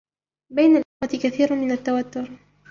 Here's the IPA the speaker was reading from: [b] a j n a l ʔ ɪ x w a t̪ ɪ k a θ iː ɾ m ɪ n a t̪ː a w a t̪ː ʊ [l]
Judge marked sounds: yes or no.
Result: yes, no

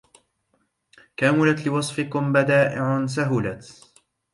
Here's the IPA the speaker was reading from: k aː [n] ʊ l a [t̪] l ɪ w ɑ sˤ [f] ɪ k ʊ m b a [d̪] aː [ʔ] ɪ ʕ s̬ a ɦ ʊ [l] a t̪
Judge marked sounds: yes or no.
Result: no, yes, yes, yes, yes, yes

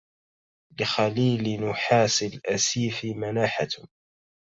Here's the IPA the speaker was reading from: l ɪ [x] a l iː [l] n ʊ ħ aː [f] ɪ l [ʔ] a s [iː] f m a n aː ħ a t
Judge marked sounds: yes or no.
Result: yes, yes, no, yes, yes

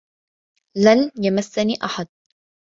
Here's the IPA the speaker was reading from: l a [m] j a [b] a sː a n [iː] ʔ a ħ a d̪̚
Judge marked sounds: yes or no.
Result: no, no, yes

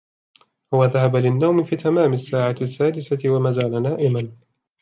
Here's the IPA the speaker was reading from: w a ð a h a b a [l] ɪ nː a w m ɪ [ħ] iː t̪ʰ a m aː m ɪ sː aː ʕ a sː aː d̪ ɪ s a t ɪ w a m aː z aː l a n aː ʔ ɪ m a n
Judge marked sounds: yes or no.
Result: yes, no

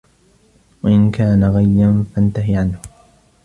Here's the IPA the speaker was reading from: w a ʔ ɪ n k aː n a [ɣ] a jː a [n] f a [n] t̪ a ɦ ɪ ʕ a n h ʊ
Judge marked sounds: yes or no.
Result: yes, yes, yes

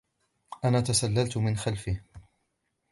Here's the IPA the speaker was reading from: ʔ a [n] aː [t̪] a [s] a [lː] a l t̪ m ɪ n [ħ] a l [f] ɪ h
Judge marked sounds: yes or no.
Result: yes, yes, yes, yes, no, yes

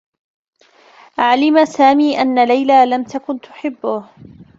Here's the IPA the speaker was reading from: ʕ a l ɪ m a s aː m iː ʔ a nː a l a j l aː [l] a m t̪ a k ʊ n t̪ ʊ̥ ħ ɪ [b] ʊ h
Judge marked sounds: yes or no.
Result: yes, no

